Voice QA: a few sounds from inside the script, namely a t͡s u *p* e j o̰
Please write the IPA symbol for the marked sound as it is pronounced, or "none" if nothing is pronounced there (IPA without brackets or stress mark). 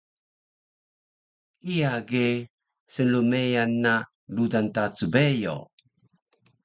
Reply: b